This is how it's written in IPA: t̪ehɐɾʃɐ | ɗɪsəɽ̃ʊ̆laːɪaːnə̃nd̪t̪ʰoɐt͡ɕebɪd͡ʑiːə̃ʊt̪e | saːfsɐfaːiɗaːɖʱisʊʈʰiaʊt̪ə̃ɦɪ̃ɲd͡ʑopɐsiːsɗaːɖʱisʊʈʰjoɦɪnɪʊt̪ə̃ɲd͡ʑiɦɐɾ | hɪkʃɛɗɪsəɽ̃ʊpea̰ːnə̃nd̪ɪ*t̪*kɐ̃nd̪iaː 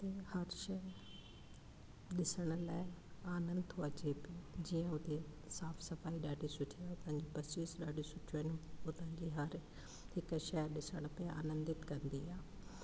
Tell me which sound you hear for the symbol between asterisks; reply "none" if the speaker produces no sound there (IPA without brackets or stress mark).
t̪